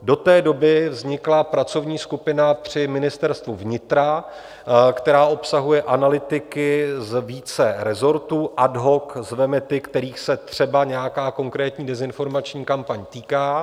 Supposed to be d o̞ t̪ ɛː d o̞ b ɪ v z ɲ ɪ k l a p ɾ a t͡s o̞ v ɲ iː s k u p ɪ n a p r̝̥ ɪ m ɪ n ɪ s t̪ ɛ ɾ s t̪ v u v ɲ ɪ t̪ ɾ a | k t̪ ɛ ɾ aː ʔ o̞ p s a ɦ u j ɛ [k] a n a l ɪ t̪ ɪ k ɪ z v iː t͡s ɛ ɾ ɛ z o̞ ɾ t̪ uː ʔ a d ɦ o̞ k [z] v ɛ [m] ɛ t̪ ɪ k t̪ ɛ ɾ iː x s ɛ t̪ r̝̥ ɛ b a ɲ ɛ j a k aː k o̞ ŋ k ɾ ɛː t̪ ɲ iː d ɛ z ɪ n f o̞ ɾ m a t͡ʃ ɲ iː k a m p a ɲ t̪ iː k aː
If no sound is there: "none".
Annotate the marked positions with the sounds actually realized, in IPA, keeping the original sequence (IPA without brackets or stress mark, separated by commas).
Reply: ʔ, z, m